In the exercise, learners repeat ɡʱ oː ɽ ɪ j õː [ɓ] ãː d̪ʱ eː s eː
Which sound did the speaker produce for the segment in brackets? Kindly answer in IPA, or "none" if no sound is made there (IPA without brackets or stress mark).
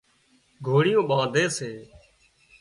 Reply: ɓ